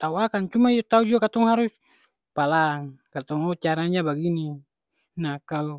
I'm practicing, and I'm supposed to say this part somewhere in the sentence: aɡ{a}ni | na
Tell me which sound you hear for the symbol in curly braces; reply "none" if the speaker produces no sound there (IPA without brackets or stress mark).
i